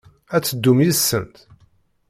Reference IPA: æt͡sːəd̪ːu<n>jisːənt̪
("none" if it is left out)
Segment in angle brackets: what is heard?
m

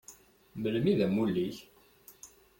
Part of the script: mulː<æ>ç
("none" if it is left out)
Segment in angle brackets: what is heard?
i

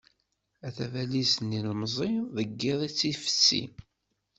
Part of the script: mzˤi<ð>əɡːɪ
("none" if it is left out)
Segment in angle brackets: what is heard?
ð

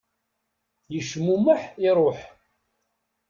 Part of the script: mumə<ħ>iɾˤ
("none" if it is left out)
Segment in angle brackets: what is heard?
ħ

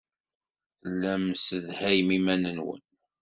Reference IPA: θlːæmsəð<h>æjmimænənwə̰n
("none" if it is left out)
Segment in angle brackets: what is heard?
h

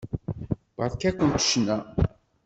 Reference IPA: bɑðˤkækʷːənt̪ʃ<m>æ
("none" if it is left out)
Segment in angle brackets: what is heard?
n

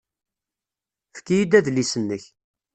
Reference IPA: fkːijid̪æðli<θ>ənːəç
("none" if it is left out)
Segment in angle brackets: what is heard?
s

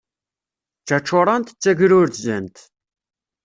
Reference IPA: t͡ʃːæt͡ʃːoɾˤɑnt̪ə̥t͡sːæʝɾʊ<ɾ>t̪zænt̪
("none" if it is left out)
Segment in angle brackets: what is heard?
ɾ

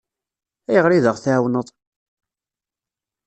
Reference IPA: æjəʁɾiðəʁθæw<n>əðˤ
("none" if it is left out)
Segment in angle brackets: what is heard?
n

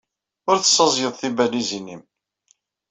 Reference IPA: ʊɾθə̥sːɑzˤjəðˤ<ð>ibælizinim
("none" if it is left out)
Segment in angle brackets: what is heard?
θ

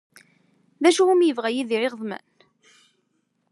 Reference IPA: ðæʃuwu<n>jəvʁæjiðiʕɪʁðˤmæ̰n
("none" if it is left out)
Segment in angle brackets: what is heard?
m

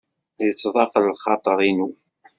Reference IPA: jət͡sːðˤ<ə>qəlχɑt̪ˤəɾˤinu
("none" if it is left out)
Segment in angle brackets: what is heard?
ɑ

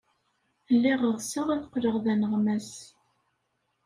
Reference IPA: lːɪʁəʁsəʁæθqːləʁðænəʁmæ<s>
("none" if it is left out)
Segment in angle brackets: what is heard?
s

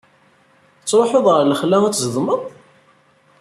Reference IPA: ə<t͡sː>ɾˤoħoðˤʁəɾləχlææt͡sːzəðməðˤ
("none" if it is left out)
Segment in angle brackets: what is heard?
t͡sː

